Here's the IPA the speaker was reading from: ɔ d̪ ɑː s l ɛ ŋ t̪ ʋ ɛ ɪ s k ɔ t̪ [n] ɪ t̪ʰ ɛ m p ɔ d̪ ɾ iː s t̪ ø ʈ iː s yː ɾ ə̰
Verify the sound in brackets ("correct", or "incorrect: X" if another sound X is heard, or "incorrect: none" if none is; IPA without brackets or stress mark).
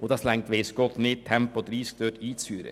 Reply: correct